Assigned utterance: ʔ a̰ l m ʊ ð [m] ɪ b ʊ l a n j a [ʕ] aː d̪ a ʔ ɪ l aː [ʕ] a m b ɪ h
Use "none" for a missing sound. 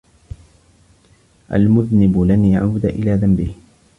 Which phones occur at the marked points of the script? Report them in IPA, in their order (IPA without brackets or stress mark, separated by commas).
n, ʕ, ð